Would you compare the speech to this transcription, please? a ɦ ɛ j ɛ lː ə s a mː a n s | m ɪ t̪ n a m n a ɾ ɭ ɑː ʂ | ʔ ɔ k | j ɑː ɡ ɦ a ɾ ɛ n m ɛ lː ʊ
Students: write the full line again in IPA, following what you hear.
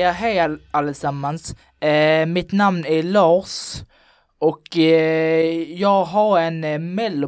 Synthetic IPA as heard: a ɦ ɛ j a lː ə s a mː a n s | m ɪ t̪ n a m n æ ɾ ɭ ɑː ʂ | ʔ ɔ k | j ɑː ɡ ɦ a ɾ ɛ n m ɛ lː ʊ